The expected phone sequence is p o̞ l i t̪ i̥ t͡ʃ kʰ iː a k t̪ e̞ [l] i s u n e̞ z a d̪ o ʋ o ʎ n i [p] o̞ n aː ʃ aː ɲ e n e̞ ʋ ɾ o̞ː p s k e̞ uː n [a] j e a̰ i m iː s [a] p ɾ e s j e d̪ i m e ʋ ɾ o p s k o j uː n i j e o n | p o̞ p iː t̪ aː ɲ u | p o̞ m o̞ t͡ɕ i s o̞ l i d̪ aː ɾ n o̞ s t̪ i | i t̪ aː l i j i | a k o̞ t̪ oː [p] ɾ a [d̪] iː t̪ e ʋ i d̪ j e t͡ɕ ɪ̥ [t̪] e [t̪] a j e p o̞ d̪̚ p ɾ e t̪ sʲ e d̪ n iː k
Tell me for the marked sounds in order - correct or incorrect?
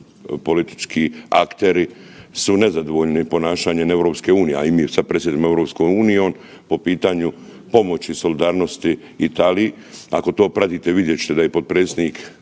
incorrect: ɾ, correct, incorrect: i, correct, correct, incorrect: t̪, correct, incorrect: d̪

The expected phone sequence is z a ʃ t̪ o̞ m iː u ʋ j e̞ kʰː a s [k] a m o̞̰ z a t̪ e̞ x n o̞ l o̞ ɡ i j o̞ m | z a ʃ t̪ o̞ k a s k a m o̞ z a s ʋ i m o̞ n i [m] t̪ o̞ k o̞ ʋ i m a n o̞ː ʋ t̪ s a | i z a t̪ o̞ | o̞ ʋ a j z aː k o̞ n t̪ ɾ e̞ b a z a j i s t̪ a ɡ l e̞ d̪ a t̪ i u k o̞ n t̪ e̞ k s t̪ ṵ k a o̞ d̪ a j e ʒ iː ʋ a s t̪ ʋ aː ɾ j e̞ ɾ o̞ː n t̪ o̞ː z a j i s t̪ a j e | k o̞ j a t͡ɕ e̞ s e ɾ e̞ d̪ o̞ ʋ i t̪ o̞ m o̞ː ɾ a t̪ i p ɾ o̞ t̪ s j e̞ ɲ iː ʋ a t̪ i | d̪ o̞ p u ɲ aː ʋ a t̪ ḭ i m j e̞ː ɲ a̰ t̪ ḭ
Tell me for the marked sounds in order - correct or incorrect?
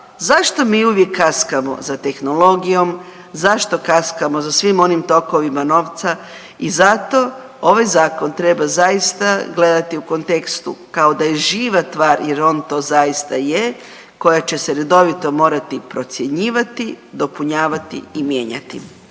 correct, correct

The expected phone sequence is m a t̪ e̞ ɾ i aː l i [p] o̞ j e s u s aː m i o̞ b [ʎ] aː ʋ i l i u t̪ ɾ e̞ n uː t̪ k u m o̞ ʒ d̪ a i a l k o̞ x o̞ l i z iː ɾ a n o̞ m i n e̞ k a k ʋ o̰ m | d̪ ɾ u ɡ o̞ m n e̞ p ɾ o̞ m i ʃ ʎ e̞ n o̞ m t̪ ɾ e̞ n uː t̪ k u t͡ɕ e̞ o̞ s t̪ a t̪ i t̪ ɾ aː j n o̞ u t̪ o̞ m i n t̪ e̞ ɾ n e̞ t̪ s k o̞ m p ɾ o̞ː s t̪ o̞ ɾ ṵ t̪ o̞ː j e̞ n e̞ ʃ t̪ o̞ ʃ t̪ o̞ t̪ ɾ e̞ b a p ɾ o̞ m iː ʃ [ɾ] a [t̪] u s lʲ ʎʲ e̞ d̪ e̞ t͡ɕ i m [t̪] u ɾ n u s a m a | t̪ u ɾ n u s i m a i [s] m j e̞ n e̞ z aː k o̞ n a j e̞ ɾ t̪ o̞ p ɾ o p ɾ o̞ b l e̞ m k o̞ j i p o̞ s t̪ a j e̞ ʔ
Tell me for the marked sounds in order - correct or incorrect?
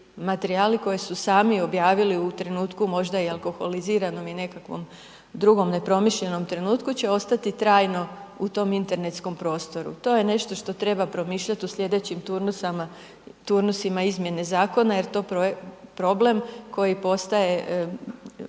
incorrect: k, incorrect: j, incorrect: ʎ, correct, correct, incorrect: z

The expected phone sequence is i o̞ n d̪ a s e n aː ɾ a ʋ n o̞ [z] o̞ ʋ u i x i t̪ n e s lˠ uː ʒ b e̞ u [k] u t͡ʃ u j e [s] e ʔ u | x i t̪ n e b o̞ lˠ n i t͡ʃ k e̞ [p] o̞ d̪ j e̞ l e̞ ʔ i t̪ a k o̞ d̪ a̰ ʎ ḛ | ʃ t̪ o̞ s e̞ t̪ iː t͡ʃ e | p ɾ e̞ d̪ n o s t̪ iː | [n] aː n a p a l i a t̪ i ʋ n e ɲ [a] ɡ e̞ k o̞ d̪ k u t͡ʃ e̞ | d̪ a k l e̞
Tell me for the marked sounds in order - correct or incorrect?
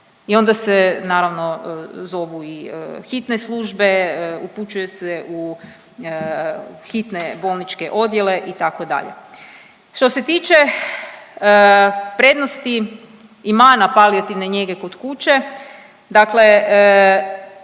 correct, incorrect: p, correct, incorrect: ʔ, incorrect: m, incorrect: e

